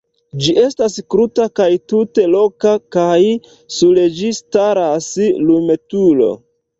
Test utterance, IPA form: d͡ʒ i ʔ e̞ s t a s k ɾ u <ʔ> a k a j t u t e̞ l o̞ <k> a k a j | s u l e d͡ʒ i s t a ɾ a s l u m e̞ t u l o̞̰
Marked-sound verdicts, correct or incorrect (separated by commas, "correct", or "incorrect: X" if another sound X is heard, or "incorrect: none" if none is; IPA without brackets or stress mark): incorrect: t, correct